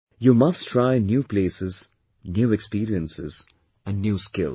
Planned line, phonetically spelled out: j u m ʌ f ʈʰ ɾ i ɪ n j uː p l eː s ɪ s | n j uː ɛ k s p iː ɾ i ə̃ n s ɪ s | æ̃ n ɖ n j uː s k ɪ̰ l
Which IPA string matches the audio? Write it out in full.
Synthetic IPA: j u m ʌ s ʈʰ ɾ a ɪ n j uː p l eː s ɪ z | n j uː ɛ k s p iː ɾ i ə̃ n s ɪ z | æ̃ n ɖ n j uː s k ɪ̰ l